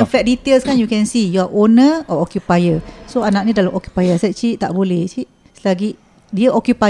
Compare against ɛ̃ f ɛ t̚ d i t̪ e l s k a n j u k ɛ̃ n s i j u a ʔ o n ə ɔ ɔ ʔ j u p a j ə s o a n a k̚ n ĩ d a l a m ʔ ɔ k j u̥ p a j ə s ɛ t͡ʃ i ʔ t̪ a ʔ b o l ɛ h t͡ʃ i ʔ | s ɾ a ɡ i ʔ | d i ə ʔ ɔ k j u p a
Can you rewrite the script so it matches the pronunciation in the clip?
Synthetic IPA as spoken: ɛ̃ f ɛ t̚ d i t̪ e l s k a n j u k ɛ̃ n s i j u a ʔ o n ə ɔ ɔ k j u p a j ə s o a n a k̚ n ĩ d a l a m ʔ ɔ k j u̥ p a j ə s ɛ t͡ʃ i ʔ t̪ a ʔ b o l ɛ h t͡ʃ i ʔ | s l a ɡ i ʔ | d i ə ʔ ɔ k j u p a